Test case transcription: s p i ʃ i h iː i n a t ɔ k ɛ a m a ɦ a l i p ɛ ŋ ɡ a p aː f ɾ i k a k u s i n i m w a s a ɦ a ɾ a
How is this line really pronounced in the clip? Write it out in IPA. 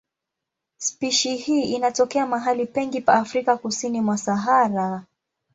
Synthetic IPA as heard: s p i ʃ i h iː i n a t ɔ k ɛ a m a ɦ a l i p ɛ ŋ ɡ i p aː f ɾ i k a k u s i n i m w a s a ɦ a ɾ a